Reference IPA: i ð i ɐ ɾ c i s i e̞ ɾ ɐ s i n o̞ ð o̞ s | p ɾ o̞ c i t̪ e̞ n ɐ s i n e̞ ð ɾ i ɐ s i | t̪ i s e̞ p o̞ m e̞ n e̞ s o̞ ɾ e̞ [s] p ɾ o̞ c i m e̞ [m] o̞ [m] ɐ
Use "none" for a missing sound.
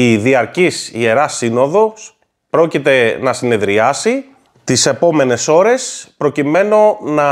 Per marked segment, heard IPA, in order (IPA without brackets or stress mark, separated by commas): s, n, n